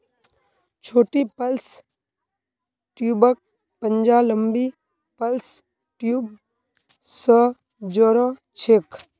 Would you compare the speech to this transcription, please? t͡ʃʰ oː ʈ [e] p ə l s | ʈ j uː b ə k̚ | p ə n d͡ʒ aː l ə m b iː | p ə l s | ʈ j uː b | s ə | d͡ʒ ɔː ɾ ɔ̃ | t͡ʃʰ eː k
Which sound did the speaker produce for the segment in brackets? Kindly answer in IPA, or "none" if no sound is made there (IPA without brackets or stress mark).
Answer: i